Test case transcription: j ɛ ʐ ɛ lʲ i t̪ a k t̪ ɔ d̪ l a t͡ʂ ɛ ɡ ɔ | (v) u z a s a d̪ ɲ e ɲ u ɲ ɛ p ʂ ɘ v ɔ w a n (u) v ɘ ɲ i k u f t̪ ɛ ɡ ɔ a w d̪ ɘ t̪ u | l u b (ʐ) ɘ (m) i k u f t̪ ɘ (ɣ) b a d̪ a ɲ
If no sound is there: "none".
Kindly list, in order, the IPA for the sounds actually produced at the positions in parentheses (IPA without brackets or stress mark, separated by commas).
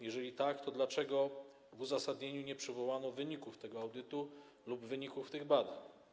v, ɔ, v, ɲ, ɣ